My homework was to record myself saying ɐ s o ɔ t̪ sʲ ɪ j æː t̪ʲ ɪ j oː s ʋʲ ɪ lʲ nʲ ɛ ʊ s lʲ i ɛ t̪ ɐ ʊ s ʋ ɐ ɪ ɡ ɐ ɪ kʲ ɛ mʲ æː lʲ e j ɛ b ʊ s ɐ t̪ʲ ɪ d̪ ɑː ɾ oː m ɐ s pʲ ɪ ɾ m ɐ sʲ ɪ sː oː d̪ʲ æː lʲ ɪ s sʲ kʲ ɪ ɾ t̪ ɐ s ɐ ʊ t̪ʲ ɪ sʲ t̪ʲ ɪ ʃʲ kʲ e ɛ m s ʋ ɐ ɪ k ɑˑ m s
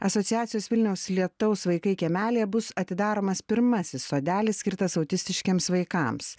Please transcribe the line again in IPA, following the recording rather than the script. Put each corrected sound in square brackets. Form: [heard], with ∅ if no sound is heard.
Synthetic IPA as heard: ɐ s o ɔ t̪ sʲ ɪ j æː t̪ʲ ɪ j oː s ʋʲ ɪ lʲ nʲ ɛ ʊ s lʲ i ɛ t̪ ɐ ʊ s ʋ ɐ ɪ [k] ɐ ɪ kʲ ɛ mʲ æː lʲ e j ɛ b ʊ s ɐ t̪ʲ ɪ d̪ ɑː ɾ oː m ɐ s pʲ ɪ ɾ m ɐ sʲ ɪ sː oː d̪ʲ æː lʲ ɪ s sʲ kʲ ɪ ɾ t̪ ɐ s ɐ ʊ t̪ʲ ɪ sʲ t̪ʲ ɪ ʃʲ kʲ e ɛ m s ʋ ɐ ɪ k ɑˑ m s